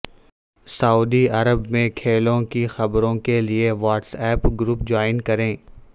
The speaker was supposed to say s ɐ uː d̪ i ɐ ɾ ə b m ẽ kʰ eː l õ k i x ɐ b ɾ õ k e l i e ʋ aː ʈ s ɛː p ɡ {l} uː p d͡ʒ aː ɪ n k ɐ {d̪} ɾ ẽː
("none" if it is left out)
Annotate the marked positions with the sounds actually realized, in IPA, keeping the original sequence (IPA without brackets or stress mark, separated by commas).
ɾ, none